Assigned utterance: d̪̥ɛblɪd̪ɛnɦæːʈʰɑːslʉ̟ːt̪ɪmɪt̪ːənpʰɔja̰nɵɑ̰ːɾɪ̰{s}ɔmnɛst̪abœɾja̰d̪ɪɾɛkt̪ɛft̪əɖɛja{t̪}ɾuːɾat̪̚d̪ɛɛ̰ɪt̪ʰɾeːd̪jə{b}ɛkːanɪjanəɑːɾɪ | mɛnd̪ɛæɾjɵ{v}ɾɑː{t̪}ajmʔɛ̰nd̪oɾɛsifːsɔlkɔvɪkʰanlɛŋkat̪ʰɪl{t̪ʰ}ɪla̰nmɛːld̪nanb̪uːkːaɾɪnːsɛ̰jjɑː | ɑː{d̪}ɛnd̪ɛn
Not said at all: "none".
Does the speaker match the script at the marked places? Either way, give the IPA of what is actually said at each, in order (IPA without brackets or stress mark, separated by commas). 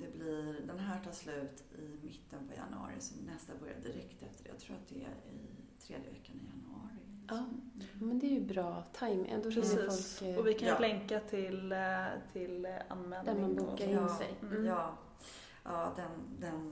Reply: s, t̪ʰ, v, b, t̪ʰ, t̪ʰ, d̪